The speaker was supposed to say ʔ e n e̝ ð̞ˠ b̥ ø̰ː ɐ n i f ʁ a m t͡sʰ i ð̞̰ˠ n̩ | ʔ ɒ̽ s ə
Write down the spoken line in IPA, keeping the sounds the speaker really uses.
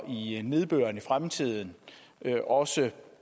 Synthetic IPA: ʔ i n e̝ ð̞ˠ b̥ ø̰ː ɐ n i f ʁ a m t͡sʰ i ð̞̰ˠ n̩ | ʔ ɒ̽ s ə